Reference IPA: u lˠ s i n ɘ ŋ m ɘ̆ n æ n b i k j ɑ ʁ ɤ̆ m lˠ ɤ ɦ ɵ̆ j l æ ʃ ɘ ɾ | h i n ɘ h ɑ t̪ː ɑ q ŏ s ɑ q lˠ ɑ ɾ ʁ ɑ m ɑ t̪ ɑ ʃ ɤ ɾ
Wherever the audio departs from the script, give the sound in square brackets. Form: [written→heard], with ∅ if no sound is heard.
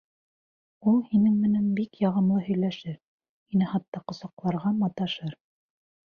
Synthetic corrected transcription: u lˠ [s→h] i n ɘ ŋ m ɘ̆ n æ n b i k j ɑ ʁ ɤ̆ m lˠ ɤ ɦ ɵ̆ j l æ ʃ ɘ ɾ | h i n ɘ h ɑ t̪ː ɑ q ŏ s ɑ q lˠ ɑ ɾ ʁ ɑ m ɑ t̪ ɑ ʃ ɤ ɾ